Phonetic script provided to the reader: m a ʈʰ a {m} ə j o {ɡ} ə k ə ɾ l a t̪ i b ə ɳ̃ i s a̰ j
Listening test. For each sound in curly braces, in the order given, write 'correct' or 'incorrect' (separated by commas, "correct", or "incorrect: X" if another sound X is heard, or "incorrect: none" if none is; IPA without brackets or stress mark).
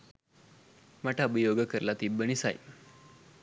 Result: incorrect: b, correct